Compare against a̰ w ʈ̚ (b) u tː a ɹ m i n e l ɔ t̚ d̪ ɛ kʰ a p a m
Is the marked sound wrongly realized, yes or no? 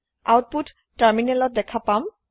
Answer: yes